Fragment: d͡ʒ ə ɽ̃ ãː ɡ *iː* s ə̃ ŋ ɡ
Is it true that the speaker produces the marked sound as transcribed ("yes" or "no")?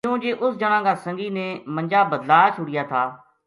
no